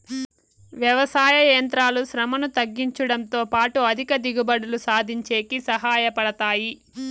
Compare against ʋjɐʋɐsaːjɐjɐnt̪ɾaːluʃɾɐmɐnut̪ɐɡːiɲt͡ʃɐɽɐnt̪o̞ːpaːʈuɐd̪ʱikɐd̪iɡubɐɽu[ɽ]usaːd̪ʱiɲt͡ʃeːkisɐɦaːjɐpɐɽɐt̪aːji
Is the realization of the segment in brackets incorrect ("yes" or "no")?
yes